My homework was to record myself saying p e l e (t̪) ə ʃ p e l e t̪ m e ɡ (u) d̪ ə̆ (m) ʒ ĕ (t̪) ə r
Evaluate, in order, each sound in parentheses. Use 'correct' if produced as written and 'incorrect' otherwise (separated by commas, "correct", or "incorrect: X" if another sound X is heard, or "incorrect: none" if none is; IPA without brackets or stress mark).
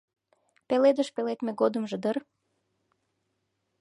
incorrect: d̪, incorrect: o, correct, incorrect: d̪